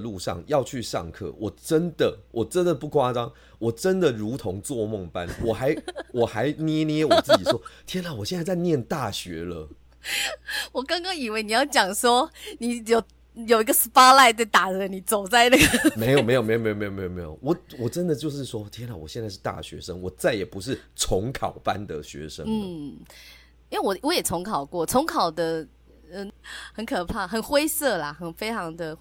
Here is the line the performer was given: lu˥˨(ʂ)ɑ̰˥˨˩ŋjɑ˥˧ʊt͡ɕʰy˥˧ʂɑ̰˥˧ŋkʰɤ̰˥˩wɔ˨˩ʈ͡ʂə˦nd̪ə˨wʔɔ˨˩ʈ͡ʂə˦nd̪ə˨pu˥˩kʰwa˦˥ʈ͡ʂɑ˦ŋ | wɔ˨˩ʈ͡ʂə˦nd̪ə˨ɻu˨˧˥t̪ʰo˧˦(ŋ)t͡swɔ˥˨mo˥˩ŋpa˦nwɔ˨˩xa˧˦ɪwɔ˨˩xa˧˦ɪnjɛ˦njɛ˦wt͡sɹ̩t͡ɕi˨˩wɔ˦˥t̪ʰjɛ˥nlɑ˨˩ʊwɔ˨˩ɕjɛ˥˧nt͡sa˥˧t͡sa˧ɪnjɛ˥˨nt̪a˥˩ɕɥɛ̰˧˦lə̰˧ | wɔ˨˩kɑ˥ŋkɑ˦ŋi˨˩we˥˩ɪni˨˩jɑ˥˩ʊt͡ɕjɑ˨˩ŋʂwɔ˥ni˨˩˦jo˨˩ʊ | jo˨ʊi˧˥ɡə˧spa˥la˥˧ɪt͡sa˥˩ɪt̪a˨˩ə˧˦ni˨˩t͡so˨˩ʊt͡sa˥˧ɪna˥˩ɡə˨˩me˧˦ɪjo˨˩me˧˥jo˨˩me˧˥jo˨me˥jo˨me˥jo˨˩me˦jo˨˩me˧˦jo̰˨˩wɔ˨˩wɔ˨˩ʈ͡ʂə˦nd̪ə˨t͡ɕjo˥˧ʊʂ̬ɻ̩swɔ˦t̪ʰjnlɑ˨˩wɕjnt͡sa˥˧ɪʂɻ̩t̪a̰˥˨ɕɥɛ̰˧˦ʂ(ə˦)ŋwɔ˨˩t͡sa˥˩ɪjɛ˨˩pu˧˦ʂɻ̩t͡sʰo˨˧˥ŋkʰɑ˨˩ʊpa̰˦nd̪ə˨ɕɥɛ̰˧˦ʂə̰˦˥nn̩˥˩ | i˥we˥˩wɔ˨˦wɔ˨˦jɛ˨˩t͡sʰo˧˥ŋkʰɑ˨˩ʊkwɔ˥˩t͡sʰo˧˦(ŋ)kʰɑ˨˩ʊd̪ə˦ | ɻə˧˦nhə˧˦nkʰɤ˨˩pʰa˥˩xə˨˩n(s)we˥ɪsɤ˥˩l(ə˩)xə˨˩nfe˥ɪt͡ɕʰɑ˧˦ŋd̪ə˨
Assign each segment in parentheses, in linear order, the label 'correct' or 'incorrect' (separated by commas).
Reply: correct, correct, correct, correct, incorrect, incorrect